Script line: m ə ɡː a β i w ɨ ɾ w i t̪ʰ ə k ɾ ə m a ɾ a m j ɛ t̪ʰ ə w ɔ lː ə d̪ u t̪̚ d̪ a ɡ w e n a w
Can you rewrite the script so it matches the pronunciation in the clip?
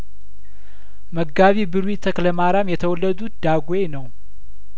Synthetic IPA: m ə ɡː a β i b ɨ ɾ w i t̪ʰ ə k l ə m a ɾ a m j ɛ t̪ʰ ə w ɔ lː ə d̪ u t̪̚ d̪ a ɡ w e n ə w